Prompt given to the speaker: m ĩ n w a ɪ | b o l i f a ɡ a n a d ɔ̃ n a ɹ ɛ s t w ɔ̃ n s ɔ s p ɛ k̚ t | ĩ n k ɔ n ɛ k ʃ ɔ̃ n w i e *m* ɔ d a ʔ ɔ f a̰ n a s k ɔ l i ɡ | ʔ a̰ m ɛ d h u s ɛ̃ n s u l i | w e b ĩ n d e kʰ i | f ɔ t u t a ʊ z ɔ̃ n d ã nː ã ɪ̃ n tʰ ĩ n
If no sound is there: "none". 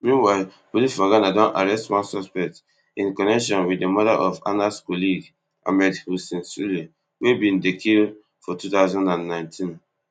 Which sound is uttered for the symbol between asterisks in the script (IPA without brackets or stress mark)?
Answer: m